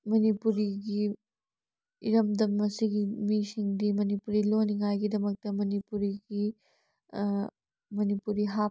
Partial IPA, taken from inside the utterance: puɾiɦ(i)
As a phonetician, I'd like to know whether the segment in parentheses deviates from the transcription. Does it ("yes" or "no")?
yes